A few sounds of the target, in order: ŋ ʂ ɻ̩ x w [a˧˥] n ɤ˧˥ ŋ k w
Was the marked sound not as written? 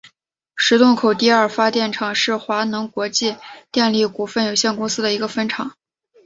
no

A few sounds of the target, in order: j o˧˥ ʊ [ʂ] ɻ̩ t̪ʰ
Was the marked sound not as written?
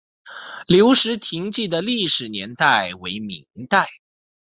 no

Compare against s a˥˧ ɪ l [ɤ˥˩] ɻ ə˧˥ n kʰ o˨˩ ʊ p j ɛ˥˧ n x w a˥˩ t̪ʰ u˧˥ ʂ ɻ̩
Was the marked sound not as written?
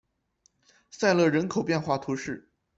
no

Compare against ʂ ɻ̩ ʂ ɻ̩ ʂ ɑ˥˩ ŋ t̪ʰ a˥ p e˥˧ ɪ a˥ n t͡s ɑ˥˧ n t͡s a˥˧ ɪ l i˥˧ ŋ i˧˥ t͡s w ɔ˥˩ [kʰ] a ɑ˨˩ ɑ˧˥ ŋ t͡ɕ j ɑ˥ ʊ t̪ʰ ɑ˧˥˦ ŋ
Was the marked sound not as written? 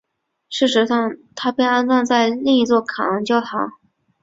no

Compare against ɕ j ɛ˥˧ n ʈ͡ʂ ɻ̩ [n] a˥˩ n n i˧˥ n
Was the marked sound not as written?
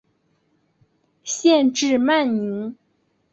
yes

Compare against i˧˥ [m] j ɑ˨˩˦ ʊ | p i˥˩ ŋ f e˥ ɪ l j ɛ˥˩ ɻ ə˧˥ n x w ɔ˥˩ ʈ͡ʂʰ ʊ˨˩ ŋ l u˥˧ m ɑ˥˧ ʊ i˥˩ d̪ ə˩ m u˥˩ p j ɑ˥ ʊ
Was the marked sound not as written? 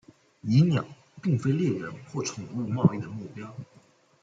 yes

